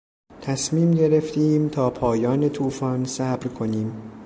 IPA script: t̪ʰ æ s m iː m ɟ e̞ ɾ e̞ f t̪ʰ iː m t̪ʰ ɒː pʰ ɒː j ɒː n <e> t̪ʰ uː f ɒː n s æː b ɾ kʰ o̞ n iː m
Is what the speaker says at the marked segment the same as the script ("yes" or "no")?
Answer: yes